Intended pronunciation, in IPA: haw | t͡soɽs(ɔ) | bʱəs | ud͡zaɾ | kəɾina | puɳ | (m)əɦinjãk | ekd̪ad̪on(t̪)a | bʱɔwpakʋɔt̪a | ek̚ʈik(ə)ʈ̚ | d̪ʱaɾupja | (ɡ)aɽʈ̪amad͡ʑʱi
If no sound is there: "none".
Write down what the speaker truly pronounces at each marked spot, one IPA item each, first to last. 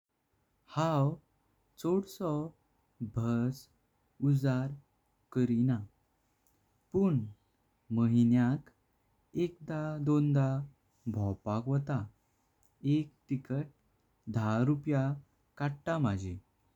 ɔ, m, d̪, ə, k

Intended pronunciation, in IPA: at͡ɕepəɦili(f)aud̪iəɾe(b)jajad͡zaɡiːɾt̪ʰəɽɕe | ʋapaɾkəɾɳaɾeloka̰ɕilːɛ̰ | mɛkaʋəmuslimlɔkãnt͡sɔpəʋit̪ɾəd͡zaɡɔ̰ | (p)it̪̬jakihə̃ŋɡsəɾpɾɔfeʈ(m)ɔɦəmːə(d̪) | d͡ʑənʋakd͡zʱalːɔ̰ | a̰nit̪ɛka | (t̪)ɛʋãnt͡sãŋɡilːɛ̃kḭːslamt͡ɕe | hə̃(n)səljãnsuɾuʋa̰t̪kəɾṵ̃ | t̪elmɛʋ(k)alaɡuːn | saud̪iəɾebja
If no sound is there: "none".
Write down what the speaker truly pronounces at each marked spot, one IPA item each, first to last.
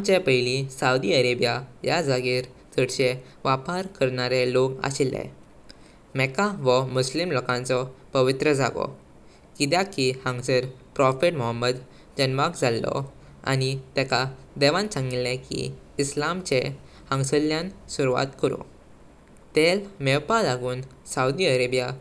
s, b, k, m, d̪, d̪, ŋ, p

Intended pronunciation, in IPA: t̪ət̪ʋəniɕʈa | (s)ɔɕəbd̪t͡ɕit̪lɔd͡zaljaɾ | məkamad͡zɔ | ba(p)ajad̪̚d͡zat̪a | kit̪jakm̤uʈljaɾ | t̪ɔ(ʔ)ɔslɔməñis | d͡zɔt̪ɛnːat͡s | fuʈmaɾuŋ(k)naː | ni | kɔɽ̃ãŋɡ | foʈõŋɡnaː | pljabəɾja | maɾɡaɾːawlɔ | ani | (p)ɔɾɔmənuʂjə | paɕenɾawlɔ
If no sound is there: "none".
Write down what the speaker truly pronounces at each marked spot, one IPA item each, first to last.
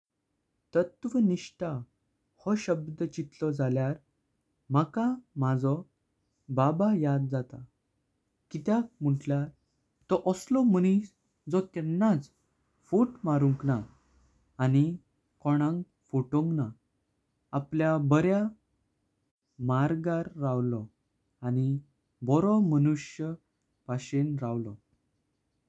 h, b, ʔ, k, b

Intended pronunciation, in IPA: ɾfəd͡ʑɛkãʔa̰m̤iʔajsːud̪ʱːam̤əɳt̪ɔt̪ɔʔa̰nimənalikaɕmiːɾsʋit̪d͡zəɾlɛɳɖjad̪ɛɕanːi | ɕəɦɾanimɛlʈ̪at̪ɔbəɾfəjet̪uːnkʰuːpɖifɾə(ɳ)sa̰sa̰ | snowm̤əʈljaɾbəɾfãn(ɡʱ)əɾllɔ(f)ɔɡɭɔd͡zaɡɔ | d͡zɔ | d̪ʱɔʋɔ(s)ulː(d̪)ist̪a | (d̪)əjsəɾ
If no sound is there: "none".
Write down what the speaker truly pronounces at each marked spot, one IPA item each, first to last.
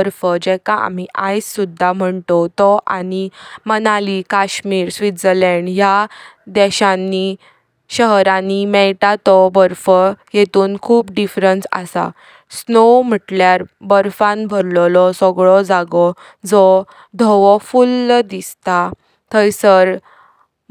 n, bʱ, s, f, d̪, t̪

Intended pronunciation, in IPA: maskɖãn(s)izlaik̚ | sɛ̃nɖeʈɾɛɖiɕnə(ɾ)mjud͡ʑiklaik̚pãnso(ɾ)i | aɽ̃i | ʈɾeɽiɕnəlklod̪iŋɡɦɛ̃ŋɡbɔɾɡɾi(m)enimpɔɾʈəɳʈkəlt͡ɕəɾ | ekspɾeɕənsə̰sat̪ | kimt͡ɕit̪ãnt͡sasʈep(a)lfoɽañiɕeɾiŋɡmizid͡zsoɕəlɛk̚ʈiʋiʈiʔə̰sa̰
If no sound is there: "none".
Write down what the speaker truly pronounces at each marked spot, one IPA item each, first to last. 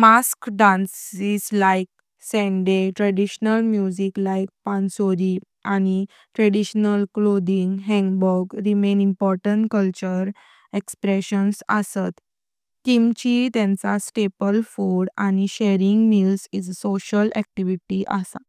s, l, ɾ, m, ə

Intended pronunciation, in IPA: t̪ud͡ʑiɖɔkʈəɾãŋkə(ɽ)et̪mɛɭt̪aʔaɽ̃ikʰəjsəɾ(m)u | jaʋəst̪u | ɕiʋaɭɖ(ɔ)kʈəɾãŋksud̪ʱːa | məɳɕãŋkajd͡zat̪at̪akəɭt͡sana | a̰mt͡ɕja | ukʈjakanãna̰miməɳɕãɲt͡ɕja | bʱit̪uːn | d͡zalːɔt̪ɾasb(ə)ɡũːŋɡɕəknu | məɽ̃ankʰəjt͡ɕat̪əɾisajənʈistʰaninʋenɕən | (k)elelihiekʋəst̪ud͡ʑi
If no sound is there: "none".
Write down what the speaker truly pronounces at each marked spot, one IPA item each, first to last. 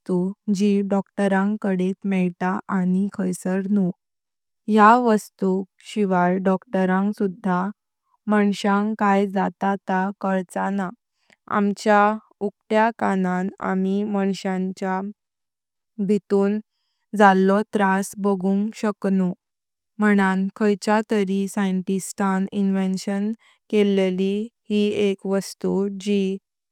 ɽ, n, ɔ, ə, k

